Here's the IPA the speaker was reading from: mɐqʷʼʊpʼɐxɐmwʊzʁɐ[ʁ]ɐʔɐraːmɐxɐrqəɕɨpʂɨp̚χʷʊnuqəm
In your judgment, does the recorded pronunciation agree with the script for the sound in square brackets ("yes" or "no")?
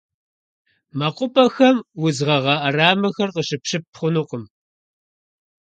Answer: yes